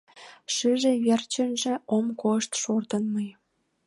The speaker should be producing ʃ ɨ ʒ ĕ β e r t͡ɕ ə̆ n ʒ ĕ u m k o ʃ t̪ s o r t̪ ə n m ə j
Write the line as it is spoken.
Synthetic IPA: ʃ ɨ ʒ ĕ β e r t͡ɕ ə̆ n ʒ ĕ o m k o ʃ t̪ ʃ o r t̪ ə n m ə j